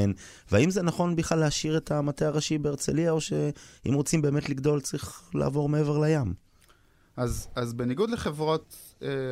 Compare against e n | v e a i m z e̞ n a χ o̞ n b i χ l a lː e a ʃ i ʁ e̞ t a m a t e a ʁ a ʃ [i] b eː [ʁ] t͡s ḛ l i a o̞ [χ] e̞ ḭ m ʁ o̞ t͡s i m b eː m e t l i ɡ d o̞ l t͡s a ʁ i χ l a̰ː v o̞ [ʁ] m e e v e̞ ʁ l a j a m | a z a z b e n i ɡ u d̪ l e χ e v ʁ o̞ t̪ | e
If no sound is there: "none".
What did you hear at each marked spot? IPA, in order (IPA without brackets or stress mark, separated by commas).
i, ʁ, ʃ, ʁ